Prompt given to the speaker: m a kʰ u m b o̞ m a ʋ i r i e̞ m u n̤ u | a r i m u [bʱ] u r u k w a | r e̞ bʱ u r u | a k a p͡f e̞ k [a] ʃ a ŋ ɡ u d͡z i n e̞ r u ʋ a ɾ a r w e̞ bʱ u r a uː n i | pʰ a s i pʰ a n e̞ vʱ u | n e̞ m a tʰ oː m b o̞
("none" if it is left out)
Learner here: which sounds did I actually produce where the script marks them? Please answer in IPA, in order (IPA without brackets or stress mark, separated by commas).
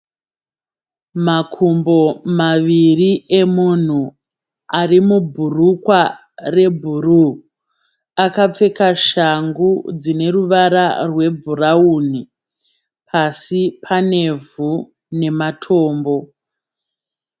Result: bʱ, a